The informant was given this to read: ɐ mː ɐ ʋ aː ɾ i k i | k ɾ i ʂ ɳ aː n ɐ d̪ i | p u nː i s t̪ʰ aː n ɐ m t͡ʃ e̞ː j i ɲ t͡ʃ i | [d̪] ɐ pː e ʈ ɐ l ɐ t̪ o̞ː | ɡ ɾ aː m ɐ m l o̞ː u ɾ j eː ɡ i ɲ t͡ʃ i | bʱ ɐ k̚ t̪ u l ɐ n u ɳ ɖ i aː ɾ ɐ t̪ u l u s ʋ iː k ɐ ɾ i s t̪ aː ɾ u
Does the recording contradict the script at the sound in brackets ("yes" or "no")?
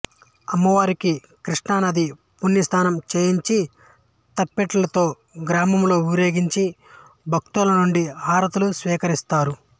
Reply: yes